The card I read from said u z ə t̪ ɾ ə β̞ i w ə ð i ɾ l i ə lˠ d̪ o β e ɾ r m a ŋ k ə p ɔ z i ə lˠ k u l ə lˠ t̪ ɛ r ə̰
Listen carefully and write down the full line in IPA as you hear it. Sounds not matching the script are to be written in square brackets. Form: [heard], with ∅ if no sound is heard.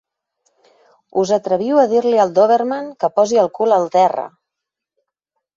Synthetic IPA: u z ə t̪ ɾ ə β̞ i w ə ð i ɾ l i ə lˠ d̪ o β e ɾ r m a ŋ k ə p ɔ z i ə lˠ k u l ə lˠ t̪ ɛ r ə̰